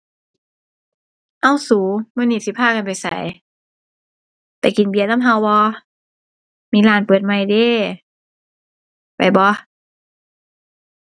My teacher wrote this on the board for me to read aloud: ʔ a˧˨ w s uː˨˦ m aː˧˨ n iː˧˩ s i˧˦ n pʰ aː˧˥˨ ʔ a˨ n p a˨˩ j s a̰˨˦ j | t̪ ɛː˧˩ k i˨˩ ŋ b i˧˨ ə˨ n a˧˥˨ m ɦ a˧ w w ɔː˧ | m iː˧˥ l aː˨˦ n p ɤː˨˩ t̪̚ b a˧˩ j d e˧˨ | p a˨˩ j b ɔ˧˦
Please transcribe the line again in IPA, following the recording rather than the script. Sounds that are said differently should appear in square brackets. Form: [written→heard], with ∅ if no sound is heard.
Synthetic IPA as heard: ʔ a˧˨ w s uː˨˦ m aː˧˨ n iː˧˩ s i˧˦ [n→∅] pʰ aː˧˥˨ [ʔ→k] a˨ n p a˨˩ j s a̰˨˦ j | t̪ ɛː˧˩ k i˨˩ [ŋ→n] b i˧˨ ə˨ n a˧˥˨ m ɦ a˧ w [w→b] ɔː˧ | m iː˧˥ l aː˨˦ n p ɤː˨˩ t̪̚ [b→m] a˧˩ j d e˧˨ | p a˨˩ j b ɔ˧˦